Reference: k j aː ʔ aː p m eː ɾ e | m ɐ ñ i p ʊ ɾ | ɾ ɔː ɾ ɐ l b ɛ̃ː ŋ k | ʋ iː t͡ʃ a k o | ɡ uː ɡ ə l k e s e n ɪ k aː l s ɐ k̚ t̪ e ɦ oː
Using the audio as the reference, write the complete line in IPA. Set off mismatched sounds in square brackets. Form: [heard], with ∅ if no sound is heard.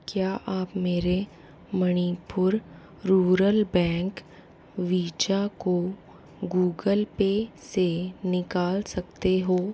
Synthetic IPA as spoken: k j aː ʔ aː p m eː ɾ e | m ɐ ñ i p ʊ ɾ | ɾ [uː] ɾ [ə] l b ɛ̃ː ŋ k | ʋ iː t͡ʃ a k o | ɡ uː ɡ ə l [p] e s e n ɪ k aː l s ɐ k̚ t̪ e ɦ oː